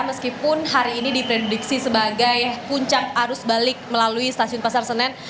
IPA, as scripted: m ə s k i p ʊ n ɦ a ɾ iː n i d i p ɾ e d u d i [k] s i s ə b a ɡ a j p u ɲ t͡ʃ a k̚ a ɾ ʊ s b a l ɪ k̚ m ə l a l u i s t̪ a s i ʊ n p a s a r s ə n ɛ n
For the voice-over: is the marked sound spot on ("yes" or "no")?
yes